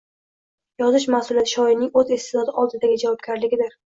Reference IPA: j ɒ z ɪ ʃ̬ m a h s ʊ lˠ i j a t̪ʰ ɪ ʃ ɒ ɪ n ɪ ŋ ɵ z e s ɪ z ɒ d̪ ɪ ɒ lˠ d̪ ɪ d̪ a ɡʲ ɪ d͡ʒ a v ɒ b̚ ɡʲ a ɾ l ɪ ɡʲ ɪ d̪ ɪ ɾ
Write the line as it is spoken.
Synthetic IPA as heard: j ɒ z ɪ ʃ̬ m a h s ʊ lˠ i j a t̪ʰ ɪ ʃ ɒ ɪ n ɪ ŋ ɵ z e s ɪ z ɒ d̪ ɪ ɒ lˠ d̪ ɪ d̪ a ɡʲ ɪ d͡ʒ a v ɒ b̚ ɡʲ a ɾ l ɪ ɡʲ ɪ d̪ ɪ ɾ